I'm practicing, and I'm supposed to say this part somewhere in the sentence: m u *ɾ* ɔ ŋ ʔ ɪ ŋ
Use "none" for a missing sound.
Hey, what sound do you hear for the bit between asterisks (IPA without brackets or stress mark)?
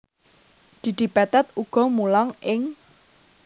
l